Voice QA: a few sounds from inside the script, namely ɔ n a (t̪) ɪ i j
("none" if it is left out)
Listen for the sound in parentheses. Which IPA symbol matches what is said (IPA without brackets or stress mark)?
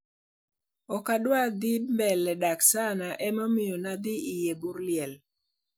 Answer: d̪